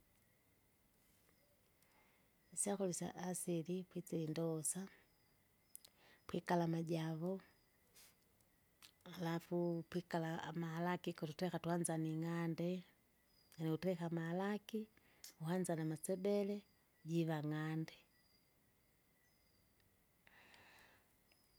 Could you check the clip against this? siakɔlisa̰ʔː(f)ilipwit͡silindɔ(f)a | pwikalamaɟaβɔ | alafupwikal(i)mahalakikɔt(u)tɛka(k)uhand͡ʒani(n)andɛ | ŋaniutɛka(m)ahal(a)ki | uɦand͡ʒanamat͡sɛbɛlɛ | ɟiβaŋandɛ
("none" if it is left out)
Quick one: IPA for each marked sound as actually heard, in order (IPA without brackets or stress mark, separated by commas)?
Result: s, s, a, u, t, ŋ, m, a